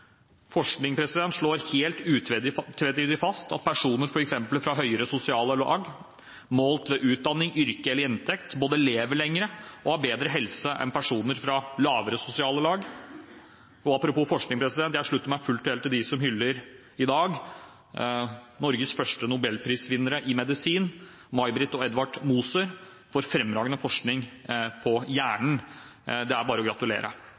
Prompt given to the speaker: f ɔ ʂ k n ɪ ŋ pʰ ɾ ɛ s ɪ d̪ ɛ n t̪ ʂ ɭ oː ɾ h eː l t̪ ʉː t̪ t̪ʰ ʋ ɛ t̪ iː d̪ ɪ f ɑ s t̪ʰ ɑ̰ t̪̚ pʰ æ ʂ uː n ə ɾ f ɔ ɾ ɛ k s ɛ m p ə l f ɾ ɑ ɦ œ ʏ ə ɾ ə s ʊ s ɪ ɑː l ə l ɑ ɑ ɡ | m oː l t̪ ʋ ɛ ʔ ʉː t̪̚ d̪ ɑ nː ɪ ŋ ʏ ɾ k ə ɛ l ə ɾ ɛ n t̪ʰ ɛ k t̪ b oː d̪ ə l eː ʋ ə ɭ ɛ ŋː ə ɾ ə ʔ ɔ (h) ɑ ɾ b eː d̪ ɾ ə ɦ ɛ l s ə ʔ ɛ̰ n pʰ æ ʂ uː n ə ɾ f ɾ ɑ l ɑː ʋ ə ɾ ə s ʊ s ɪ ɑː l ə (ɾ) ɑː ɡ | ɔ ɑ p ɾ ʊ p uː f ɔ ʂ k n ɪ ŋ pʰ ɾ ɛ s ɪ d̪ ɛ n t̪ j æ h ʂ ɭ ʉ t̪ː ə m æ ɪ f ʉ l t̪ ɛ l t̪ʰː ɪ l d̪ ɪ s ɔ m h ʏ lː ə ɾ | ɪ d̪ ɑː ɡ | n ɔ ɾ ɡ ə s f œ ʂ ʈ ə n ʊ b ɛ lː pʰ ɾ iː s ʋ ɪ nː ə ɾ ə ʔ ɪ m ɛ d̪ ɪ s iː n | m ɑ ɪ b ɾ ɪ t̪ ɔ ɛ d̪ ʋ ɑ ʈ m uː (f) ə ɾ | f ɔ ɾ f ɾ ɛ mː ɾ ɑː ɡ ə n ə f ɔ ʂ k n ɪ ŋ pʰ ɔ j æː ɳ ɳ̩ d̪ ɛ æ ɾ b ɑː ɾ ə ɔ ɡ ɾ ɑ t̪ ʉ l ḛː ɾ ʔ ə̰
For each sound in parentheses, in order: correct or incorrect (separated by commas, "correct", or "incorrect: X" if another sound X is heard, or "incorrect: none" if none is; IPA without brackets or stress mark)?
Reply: correct, incorrect: l, incorrect: s